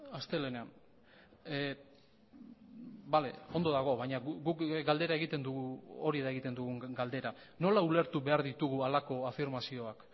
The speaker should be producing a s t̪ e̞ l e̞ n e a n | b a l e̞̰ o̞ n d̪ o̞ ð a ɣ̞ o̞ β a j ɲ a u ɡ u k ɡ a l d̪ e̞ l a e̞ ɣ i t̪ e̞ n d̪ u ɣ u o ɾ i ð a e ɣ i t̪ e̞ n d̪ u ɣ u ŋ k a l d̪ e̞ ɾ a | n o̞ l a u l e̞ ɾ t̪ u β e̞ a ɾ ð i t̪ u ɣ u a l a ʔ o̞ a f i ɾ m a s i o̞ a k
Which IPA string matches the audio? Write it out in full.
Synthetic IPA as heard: a s t̪ e̞ l e̞ n e a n | b a l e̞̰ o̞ n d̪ o̞ ð a ɣ̞ o̞ β a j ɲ a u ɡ u k ɡ a l d̪ e̞ ɾ a e̞ ɣ i t̪ e̞ n d̪ u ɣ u o ɾ i ð a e ɣ i t̪ e̞ n d̪ u ɣ u ŋ ɡ a l d̪ e̞ ɾ a | n o̞ l a u l e̞ ɾ t̪ u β e̞ a ɾ ð i t̪ u ɣ u a l a k o̞ a f i ɾ m a s i o̞ a k